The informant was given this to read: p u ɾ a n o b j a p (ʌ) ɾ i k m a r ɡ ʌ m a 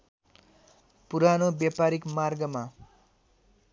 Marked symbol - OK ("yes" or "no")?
no